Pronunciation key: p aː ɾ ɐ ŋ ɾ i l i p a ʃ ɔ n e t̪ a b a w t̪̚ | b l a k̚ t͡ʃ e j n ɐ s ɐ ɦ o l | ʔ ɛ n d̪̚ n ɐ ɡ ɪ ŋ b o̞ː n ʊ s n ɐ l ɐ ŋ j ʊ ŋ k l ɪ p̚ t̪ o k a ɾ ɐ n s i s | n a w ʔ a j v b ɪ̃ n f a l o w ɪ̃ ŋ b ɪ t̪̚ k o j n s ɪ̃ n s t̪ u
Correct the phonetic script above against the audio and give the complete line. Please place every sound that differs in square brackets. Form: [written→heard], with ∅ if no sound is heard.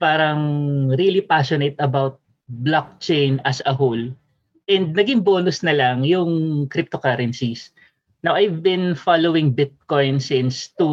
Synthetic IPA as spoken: p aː ɾ ɐ ŋ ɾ i l i p a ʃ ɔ n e t̪ [a→ɐ] b a w t̪̚ | b l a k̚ t͡ʃ e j n ɐ s ɐ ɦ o l | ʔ ɛ n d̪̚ n ɐ ɡ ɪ ŋ b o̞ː n ʊ s n ɐ l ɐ ŋ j ʊ ŋ k [l→ɾ] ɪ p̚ t̪ o k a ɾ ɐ n s i s | n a w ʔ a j v b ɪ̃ n f a l o w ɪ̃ ŋ b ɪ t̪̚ k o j n s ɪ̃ n s t̪ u